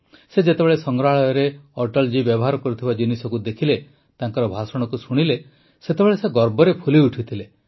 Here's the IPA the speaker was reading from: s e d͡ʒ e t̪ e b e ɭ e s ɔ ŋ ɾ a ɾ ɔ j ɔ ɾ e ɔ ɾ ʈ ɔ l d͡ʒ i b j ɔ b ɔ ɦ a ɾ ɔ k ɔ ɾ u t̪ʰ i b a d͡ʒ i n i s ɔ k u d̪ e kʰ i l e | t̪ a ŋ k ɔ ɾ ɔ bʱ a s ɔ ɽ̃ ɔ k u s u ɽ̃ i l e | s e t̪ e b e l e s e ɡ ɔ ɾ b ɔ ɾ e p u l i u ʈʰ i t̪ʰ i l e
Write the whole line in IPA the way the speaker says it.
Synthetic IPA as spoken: s e d͡ʒ e t̪ e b e ɭ e s ɔ ŋ ɾ a ɭ ɔ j ɔ ɾ e ɔ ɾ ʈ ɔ l d͡ʒ i b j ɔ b ɔ ɦ a ɾ ɔ k ɔ ɾ u t̪ʰ i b a d͡ʒ i n i s ɔ k u d̪ e kʰ i l e | t̪ a ŋ k ɔ ɾ ɔ bʱ a s ɔ ɽ̃ ɔ k u s u ɽ̃ i l e | s e t̪ e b e ɭ e s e ɡ ɔ ɾ b ɔ ɾ e pʰ u l i u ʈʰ i t̪ʰ i l e